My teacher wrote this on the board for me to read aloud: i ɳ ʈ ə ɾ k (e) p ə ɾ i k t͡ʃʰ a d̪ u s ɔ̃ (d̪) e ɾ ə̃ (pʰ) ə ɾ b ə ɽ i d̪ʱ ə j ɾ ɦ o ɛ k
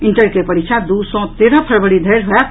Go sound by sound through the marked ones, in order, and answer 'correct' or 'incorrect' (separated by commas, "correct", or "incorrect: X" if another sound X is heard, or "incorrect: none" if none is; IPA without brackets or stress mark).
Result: correct, incorrect: t̪, correct